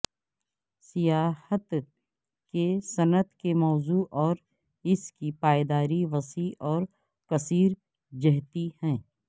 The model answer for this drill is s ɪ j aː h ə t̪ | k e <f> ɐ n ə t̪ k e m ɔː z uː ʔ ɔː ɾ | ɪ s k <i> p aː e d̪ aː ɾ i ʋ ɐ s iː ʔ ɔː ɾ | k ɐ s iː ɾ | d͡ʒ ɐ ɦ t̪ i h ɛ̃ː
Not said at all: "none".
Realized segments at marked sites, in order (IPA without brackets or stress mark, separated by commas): s, i